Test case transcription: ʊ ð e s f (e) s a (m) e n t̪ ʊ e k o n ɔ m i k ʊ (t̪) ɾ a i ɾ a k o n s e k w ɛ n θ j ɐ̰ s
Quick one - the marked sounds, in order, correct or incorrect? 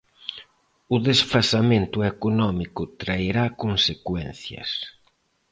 incorrect, correct, correct

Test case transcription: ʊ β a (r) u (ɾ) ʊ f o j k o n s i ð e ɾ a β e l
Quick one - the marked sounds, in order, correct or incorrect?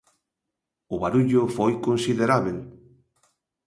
incorrect, incorrect

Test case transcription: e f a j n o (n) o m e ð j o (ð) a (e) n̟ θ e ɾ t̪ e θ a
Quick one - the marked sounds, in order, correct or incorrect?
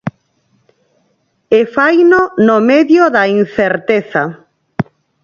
correct, correct, incorrect

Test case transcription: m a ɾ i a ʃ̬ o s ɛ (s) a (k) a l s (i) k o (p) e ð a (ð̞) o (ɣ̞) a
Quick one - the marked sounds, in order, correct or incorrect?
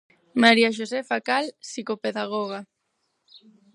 incorrect, correct, correct, correct, incorrect, correct

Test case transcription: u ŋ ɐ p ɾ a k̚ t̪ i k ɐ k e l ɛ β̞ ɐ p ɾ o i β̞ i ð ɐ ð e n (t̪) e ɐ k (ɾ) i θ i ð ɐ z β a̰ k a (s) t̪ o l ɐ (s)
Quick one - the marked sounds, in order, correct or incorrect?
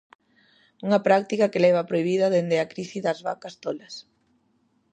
incorrect, correct, correct, correct

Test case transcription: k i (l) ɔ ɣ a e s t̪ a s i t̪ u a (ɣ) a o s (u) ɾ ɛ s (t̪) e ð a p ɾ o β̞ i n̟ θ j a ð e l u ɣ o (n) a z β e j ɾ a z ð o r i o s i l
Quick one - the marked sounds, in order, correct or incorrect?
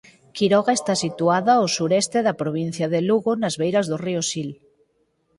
incorrect, incorrect, correct, correct, correct

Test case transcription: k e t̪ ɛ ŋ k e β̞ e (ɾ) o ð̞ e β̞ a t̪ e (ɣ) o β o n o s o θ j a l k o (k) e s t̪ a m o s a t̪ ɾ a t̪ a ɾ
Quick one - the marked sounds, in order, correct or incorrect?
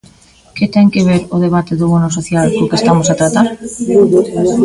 correct, incorrect, correct

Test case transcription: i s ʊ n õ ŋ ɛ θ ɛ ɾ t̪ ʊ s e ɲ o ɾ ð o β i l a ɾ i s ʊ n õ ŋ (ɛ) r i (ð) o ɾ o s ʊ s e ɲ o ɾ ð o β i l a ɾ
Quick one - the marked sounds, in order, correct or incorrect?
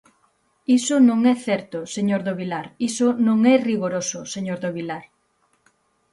correct, incorrect

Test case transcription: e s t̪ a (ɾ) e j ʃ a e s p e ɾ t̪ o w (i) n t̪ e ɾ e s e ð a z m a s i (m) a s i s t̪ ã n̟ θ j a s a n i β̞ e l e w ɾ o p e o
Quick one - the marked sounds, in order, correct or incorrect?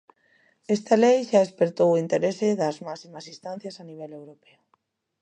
incorrect, correct, correct

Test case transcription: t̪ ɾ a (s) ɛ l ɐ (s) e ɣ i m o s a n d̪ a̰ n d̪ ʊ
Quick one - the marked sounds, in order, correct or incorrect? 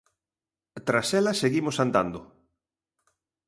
correct, correct

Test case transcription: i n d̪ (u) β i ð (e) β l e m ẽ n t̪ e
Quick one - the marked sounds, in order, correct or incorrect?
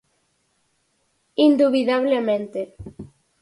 correct, incorrect

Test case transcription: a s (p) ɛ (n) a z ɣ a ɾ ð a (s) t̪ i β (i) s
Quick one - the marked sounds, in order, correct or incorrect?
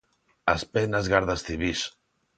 correct, correct, correct, correct

